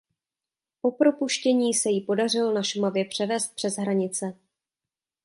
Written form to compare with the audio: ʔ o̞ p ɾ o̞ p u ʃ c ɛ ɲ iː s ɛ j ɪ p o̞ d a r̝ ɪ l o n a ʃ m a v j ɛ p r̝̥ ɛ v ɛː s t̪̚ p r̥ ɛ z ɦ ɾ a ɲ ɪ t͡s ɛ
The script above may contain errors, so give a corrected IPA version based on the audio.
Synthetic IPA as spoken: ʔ o̞ p ɾ o̞ p u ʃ c ɛ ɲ iː s ɛ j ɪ p o̞ d a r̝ ɪ l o n a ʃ m a v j ɛ p r̝̥ ɛ v ɛː s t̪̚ p r̥ ɛ z ɦ ɾ a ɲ ɪ t͡s ɛ